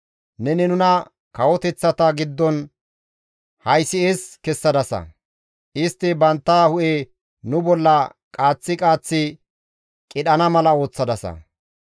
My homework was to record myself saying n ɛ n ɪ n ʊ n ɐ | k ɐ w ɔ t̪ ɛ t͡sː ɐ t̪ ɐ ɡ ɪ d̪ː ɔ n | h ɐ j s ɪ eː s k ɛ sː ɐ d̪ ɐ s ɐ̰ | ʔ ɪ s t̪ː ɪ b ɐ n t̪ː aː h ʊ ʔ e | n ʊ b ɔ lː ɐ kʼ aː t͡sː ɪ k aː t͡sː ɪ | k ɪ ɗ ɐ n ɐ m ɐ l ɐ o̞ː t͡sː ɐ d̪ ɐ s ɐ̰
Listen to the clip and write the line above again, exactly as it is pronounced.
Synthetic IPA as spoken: n ɛ n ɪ n ʊ n ɐ | k ɐ w ɔ t̪ ɛ t͡sː ɐ t̪ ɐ ɡ ɪ d̪ː ɔ n | h ɐ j s ɪ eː s k ɛ sː ɐ d̪ ɐ s ɐ̰ | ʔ ɪ s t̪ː ɪ b ɐ n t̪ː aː h ʊ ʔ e | n ʊ b ɔ lː ɐ kʼ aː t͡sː ɪ kʼ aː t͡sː ɪ | kʼ ɪ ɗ ɐ n ɐ m ɐ l ɐ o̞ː t͡sː ɐ d̪ ɐ s ɐ̰